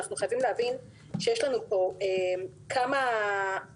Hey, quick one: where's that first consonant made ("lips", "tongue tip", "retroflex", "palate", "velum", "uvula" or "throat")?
uvula